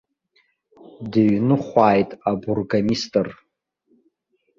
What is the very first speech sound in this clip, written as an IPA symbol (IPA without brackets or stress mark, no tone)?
d